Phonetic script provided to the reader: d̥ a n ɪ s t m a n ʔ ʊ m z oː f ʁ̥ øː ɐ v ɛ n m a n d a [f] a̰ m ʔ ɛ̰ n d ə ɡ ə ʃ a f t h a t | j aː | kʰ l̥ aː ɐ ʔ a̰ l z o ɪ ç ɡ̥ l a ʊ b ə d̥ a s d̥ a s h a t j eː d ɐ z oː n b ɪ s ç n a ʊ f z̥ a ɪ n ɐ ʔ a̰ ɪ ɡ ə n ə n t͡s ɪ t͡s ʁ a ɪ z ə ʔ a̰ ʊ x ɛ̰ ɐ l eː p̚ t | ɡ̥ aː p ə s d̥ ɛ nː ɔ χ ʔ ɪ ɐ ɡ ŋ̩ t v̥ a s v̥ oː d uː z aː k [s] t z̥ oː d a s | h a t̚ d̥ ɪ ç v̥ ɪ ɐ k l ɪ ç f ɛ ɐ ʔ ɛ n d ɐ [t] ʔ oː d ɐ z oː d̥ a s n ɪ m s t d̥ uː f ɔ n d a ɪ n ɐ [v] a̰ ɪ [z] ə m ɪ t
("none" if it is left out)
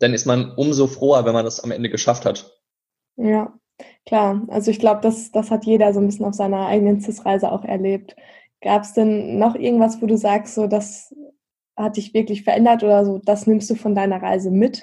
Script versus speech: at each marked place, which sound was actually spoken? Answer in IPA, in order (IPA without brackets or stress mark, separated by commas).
s, s, t, ʁ, z